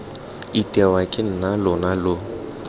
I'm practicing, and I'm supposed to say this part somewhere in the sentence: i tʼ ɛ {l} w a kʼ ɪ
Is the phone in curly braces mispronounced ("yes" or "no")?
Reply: yes